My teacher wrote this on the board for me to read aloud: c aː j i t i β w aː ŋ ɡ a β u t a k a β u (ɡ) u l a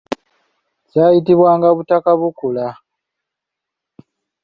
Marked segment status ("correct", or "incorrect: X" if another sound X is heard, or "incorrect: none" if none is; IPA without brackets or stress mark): incorrect: k